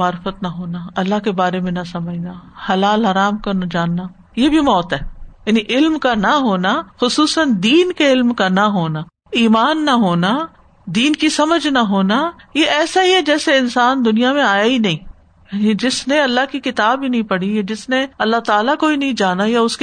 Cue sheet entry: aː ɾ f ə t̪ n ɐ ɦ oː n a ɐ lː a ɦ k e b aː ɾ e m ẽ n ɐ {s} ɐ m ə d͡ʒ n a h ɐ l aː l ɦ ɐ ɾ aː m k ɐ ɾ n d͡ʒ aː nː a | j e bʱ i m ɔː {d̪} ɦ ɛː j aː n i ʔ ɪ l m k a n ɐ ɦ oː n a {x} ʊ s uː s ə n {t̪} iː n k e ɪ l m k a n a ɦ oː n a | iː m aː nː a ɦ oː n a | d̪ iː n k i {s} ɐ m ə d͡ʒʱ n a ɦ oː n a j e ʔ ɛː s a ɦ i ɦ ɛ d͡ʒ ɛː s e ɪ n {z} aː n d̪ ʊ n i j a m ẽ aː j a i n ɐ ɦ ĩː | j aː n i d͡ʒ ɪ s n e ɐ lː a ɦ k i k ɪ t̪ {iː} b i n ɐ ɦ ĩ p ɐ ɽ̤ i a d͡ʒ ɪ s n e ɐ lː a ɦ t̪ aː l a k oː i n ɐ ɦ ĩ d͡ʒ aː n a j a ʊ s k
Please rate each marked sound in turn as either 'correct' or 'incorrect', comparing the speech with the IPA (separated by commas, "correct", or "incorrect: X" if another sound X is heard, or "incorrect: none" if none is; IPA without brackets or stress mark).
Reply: correct, incorrect: t̪, correct, incorrect: d̪, correct, incorrect: s, incorrect: aː